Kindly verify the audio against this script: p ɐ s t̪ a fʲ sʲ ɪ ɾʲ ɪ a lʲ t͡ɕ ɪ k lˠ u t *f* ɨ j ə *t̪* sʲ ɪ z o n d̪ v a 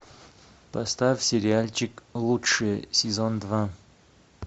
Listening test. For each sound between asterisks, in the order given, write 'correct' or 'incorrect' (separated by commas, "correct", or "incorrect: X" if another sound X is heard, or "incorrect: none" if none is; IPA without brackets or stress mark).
incorrect: ʂ, incorrect: none